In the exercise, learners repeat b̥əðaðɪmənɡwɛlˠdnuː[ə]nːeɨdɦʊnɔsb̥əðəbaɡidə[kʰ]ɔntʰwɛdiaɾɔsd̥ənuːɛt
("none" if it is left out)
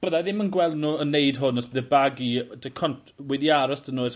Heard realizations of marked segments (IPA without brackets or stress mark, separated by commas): ə, kʰ